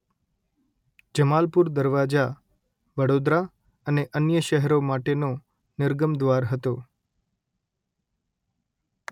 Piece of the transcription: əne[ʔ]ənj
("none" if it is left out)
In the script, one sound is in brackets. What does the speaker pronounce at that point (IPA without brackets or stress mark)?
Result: ʔ